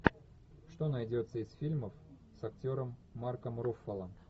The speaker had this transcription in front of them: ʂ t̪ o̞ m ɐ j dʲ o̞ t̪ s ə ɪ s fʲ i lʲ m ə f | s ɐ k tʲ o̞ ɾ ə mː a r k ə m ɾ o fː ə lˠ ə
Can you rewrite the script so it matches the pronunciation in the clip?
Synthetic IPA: ʂ t̪ o̞ n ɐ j dʲ o̞ t̪ s ə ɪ s fʲ i lʲ m ə f | s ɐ k tʲ o̞ ɾ ə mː a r k ə m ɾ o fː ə lˠ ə